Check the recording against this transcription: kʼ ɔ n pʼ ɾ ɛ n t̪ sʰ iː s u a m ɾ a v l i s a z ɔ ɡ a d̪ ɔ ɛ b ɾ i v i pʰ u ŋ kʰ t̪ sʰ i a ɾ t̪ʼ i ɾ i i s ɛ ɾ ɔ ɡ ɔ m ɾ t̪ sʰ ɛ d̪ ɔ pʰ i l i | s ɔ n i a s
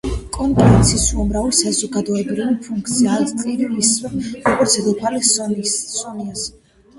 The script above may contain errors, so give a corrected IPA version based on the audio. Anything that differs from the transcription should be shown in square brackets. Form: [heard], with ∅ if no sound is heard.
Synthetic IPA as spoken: kʼ ɔ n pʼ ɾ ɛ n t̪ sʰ [i] s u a m ɾ a v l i s a z ɔ ɡ a d̪ ɔ ɛ b ɾ i v i pʰ u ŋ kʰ t̪ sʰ i a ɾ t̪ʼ i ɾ i i s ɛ ɾ ɔ ɡ ɔ [∅] ɾ t̪ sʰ ɛ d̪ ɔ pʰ [a] l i | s ɔ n i a s